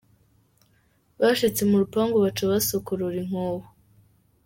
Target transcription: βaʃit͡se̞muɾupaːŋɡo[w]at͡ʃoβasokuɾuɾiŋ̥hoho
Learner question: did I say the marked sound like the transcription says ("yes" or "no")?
no